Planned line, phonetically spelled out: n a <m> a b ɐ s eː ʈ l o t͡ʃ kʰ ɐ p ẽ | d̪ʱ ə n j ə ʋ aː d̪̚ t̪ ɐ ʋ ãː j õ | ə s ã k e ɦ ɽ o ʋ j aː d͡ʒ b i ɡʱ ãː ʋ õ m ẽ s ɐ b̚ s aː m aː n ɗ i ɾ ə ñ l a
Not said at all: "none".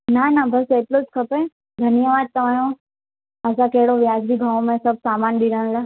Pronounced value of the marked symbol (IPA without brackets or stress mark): n